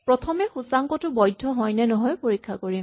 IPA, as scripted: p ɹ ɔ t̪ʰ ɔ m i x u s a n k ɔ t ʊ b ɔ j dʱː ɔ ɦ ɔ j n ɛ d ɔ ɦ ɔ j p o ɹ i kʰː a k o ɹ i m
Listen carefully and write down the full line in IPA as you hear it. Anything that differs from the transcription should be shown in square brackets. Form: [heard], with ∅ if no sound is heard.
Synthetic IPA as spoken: p ɹ ɔ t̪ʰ ɔ m [ɛ] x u s a [ŋ] k ɔ t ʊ b ɔ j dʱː ɔ ɦ ɔ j n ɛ [n] ɔ ɦ ɔ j p o ɹ i kʰː a k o ɹ i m